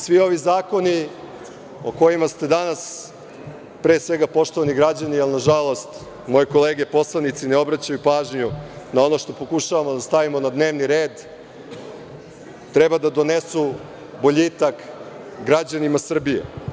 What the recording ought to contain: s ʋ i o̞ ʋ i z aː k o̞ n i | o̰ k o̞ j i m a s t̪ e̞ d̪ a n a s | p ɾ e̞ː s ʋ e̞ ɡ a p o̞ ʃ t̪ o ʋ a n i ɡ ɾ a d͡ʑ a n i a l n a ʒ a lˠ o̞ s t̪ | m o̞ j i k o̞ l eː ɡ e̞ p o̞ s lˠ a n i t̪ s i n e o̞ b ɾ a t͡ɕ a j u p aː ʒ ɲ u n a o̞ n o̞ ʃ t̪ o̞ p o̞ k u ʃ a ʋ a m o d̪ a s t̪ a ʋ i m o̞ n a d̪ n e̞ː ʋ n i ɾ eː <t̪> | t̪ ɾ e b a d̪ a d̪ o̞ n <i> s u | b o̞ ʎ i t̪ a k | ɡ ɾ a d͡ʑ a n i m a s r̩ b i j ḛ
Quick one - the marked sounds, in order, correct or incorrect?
incorrect: d̪, incorrect: e

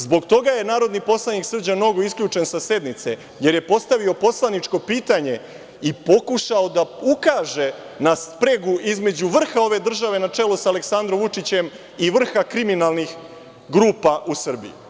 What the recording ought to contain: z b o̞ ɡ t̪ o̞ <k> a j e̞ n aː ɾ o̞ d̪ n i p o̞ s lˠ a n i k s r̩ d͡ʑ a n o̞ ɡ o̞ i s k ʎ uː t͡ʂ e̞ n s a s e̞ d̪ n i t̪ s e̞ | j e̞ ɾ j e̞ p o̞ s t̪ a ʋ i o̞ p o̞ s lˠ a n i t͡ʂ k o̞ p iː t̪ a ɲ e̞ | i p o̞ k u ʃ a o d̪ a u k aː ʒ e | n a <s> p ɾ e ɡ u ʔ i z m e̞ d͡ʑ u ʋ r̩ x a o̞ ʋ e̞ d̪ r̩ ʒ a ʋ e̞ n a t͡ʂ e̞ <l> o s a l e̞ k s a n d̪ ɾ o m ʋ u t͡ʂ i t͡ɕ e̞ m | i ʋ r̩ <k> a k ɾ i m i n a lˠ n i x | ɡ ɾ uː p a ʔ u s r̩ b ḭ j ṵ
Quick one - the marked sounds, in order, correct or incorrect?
incorrect: ɡ, correct, correct, incorrect: x

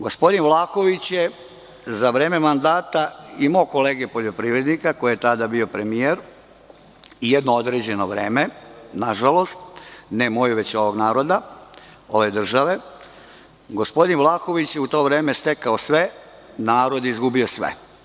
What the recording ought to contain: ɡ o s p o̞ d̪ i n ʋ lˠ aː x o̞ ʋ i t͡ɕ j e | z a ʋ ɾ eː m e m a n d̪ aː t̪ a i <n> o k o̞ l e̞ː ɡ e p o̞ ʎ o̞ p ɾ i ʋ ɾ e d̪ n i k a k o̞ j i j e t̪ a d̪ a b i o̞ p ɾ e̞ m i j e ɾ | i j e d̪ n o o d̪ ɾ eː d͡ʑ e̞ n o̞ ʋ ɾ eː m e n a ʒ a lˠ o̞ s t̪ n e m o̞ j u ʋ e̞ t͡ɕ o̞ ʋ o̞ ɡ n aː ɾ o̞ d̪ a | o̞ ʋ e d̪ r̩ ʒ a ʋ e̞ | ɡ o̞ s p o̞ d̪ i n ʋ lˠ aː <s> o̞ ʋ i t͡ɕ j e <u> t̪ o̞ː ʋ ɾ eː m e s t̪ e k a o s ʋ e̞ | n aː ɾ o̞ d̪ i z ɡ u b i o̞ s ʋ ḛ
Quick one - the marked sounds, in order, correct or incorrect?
incorrect: m, incorrect: x, correct

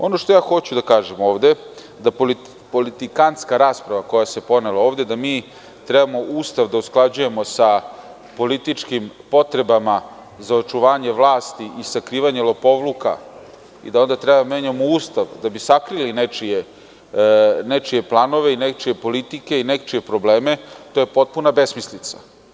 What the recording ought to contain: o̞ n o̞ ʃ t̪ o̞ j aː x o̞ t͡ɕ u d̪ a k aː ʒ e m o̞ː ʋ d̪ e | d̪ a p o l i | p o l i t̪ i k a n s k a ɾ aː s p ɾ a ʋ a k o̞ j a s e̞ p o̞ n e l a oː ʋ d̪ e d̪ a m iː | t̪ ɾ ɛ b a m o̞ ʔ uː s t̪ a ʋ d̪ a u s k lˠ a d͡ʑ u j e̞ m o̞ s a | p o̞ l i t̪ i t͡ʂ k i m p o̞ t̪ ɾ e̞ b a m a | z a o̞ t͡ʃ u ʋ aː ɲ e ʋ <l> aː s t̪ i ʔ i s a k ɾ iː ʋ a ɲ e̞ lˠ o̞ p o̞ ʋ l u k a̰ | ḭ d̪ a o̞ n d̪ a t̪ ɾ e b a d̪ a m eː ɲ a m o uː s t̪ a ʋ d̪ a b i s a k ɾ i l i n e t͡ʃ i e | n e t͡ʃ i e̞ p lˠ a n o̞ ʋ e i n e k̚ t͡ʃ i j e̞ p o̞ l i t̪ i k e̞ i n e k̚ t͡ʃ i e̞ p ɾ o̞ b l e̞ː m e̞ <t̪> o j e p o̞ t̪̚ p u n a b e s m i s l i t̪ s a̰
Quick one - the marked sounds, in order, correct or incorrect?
correct, correct

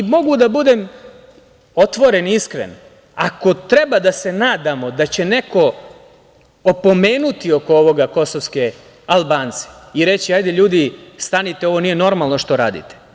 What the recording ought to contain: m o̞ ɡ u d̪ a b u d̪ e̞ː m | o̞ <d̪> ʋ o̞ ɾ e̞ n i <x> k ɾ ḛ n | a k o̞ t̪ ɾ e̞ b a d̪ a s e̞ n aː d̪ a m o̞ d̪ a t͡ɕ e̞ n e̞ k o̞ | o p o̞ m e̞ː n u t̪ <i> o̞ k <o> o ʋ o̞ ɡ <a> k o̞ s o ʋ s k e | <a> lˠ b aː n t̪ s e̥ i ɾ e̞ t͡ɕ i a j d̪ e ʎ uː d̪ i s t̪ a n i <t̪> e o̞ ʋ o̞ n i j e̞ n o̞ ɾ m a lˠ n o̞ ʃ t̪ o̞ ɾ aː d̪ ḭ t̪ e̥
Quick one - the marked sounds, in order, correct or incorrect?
incorrect: t̪, incorrect: s, correct, correct, correct, correct, correct

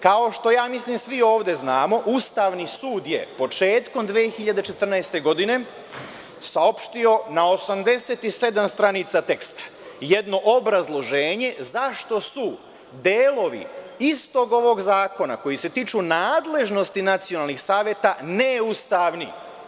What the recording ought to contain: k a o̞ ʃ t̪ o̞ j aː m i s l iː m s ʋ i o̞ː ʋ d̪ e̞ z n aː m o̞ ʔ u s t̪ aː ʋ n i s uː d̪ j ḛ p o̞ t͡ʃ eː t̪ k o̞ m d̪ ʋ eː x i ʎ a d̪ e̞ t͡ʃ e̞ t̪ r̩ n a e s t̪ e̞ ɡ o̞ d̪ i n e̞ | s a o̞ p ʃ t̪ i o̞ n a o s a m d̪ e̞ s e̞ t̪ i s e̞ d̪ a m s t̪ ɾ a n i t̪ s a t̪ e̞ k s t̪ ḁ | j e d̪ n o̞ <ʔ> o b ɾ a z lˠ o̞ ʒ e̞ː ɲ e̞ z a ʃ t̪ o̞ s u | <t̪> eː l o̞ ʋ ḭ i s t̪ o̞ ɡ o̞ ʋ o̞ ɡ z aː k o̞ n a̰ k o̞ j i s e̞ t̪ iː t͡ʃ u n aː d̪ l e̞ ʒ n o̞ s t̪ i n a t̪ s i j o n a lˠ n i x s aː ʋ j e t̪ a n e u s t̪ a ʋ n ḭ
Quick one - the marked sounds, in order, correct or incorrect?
correct, incorrect: d̪

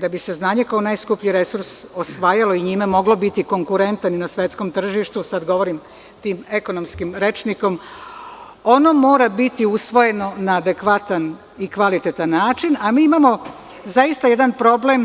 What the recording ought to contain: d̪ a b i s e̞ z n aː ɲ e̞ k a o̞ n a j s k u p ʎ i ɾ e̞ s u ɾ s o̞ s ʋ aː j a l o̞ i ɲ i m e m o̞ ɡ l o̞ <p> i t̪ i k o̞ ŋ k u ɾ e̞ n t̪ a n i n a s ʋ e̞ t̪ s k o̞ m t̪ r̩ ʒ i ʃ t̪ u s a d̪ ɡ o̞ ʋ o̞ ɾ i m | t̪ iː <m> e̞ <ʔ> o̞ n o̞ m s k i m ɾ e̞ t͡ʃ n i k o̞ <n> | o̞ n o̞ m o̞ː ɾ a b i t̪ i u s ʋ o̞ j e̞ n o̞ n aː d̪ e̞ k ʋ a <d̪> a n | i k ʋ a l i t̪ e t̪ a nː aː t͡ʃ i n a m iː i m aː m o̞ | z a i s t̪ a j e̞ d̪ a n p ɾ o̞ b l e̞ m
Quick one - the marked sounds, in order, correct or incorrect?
incorrect: b, correct, incorrect: k, incorrect: m, incorrect: t̪

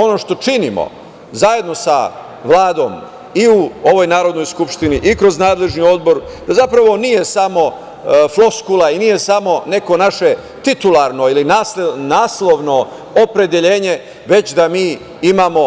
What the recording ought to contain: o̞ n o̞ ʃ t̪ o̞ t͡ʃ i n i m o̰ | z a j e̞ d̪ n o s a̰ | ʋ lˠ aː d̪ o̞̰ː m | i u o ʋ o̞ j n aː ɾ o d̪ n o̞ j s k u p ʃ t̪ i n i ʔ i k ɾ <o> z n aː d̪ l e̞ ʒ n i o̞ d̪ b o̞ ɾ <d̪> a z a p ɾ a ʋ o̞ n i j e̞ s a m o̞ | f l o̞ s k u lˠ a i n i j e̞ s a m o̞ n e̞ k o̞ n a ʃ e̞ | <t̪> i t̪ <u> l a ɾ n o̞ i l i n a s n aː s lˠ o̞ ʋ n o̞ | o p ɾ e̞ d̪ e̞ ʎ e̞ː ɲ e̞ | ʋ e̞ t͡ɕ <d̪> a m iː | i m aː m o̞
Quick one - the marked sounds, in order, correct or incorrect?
correct, correct, correct, correct, correct

